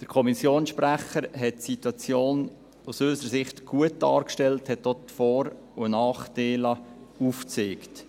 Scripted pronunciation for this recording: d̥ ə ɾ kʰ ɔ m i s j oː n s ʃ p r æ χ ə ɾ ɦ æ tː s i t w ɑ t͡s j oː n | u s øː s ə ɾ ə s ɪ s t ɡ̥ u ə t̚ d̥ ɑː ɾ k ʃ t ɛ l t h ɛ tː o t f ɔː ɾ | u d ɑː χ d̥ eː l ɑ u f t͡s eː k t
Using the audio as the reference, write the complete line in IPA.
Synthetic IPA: d̥ ə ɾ kʰ ɔ m i s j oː n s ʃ p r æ χ ə ɾ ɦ ɛ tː s i t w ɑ t͡s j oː n | u s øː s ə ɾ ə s ɪ χ t ɡ̥ u ə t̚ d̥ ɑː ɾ k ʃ t ɛ l t h ɛ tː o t f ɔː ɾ | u n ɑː χ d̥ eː l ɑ u f t͡s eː k t